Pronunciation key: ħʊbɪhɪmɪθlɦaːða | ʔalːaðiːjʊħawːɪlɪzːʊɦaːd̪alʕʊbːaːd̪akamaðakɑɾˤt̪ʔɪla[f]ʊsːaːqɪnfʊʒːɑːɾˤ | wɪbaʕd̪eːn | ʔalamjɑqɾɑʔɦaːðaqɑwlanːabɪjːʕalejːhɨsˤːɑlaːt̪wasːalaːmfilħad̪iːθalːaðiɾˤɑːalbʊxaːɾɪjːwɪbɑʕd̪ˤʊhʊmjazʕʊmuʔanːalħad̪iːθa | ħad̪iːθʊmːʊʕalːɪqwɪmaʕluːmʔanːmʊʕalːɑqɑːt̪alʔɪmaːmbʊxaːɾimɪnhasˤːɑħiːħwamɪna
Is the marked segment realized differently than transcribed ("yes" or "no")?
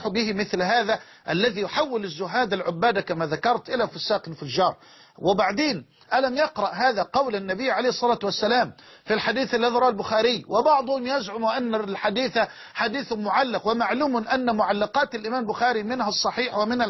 no